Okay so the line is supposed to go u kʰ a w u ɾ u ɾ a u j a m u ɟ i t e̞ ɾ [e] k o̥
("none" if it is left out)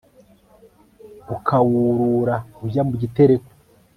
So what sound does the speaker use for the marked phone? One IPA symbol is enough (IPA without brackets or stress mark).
e